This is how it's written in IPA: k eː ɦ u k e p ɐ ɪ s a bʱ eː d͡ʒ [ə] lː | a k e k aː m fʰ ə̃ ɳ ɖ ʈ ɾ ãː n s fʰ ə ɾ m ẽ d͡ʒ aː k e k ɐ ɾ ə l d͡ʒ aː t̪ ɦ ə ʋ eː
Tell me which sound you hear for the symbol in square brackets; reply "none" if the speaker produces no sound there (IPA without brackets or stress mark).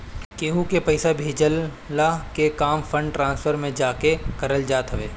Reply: ə